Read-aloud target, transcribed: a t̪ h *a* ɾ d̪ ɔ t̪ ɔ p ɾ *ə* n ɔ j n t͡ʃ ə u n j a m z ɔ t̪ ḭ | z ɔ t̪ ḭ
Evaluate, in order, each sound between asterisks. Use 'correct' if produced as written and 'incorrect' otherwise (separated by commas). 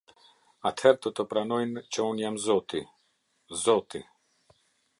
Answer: incorrect, incorrect